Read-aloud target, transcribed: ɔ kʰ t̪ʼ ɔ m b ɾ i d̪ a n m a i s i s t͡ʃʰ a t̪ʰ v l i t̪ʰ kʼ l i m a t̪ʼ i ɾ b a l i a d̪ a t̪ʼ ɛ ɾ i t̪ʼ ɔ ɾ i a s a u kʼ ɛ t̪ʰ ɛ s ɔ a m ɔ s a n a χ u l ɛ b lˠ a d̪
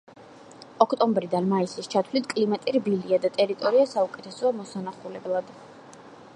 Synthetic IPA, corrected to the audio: ɔ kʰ t̪ʼ ɔ m b ɾ i d̪ a n m a i s i s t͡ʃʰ a t̪ʰ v l i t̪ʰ kʼ l i m a t̪ʼ i ɾ b i l i a d̪ a t̪ʼ ɛ ɾ i t̪ʼ ɔ ɾ i a s a u kʼ ɛ t̪ʰ ɛ s ɔ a m ɔ s a n a χ u l ɛ b lˠ a d̪